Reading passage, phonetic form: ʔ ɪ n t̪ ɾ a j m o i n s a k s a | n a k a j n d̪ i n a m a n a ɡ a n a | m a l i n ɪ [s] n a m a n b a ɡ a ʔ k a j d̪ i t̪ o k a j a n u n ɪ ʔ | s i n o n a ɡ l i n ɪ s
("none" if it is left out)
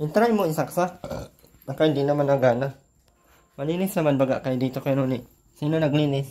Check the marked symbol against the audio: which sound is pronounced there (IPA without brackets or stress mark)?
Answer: s